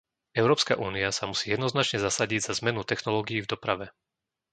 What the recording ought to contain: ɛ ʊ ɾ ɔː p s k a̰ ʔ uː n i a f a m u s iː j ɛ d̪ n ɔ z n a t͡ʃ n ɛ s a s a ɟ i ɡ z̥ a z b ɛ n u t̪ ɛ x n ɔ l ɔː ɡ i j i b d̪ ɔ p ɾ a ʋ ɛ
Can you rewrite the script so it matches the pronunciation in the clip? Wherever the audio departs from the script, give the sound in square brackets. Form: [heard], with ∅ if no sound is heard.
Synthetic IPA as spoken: ɛ ʊ ɾ ɔː p s k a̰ ʔ uː n i a [s] a m u s iː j ɛ d̪ n ɔ z n a t͡ʃ [ɲ] ɛ [z] a s a ɟ i [ɟ] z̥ a z [m] ɛ n u t̪ ɛ x n ɔ l ɔː ɡ i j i [v] d̪ ɔ p ɾ a ʋ ɛ